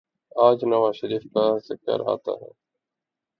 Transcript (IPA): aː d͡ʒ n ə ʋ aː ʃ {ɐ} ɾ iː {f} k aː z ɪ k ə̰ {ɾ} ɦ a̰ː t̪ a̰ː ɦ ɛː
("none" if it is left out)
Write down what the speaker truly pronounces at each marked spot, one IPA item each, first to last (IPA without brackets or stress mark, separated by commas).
ə, f, ɾ